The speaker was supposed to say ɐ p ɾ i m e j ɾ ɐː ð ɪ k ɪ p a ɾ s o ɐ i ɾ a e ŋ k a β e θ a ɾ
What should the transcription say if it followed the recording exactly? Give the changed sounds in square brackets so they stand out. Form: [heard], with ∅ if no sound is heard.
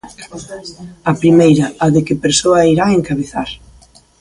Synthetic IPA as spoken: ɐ p ɾ i m e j ɾ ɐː ð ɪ k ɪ p [e] ɾ s o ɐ i ɾ a e ŋ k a β e θ a ɾ